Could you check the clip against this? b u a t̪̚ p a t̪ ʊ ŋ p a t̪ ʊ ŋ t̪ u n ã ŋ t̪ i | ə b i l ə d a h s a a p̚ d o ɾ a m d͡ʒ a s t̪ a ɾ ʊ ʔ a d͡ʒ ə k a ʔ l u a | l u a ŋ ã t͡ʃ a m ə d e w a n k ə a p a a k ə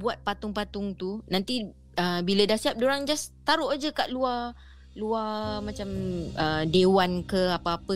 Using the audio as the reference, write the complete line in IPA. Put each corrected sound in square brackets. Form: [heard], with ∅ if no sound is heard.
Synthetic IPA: b u a t̪̚ p a t̪ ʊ ŋ p a t̪ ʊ ŋ t̪ u n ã [n] t̪ i | ə b i l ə d a h s [i] a p̚ d o ɾ a [ŋ] d͡ʒ a s t̪ a ɾ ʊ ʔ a d͡ʒ ə k a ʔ l u a | l u a [m] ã t͡ʃ a m ə d e w a n k ə a p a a [p] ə